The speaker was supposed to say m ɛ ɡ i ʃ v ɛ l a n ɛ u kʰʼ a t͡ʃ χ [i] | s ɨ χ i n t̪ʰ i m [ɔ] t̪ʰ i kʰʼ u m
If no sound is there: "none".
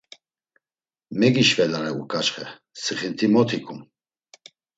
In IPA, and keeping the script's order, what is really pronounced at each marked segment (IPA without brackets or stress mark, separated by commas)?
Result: ɛ, ɔ